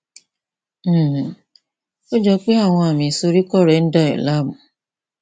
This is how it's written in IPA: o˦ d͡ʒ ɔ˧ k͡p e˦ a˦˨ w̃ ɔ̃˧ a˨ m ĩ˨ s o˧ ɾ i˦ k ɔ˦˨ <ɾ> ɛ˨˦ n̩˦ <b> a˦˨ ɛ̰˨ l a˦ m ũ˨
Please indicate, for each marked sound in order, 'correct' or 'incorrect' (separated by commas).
correct, incorrect